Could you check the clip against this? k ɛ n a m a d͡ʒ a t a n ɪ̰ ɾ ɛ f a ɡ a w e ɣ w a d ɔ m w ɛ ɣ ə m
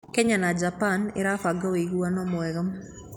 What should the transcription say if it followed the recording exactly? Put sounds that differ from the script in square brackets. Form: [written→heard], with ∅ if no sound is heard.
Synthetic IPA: k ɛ [n→ɲ] a [m→n] a d͡ʒ a [t→p] a n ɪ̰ ɾ [ɛ→a] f a ɡ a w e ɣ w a [d→n] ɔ m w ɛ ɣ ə m